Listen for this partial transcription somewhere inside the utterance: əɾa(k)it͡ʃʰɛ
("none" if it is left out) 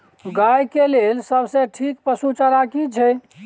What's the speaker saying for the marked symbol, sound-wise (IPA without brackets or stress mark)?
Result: k